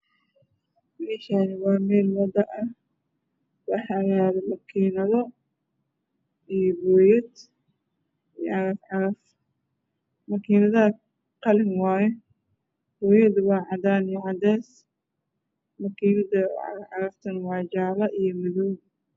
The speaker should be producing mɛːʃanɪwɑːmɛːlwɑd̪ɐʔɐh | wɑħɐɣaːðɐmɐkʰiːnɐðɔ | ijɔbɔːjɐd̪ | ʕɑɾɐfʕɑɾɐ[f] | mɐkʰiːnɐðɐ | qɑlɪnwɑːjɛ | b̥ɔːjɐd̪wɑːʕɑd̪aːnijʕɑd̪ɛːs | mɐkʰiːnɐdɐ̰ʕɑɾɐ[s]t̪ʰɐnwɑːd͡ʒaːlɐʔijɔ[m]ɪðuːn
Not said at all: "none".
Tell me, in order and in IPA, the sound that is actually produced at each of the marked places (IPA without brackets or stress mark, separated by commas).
f, f, m